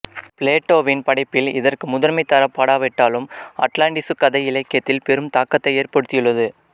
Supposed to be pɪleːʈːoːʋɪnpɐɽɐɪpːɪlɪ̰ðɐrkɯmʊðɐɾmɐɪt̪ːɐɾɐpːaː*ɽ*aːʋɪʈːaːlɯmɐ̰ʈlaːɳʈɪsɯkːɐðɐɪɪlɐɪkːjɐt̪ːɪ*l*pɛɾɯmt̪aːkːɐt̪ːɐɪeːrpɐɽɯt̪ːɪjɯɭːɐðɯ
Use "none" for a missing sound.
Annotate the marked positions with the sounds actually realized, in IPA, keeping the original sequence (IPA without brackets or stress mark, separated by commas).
ɽ, l